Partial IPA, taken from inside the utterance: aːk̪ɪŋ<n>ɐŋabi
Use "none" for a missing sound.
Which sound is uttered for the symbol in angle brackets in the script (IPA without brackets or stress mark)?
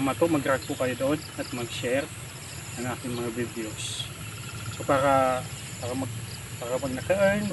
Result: m